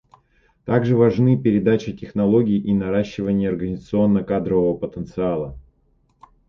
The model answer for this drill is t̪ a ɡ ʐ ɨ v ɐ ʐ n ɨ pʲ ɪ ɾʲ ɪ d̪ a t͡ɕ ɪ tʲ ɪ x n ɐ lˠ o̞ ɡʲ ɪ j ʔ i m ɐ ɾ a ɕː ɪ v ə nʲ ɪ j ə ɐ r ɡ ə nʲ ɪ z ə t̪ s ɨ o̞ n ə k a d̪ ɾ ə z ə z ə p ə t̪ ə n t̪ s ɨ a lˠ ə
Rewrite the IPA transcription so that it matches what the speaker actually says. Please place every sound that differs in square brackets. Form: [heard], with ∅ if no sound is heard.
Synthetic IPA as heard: t̪ a ɡ ʐ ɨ v ɐ ʐ n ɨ pʲ ɪ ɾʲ ɪ d̪ a t͡ɕ ɪ tʲ ɪ x n ɐ lˠ o̞ ɡʲ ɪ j ʔ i [n] ɐ ɾ a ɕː ɪ v ə nʲ ɪ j ə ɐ r ɡ ə nʲ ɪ z ə t̪ s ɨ o̞ [nː] ə k a d̪ ɾ ə [v] ə [v] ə p ə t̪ ə n t̪ s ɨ a lˠ ə